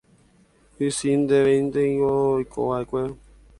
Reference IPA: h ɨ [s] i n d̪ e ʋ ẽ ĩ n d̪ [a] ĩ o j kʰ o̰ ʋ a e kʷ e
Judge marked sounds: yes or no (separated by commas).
yes, no